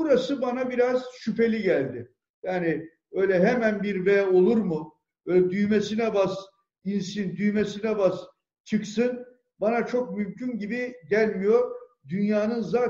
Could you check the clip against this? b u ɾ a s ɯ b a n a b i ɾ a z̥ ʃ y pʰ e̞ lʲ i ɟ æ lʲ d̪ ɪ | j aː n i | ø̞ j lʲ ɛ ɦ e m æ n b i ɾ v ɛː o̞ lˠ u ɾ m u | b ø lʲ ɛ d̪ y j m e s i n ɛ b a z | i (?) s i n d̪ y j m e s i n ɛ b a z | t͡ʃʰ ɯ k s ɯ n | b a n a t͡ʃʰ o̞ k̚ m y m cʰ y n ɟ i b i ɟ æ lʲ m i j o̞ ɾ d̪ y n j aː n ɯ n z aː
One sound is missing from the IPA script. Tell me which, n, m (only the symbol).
n